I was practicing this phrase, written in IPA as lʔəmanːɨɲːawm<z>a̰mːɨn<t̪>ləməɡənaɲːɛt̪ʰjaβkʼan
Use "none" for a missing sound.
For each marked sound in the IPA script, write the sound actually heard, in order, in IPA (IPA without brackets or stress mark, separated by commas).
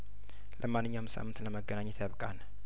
s, t̪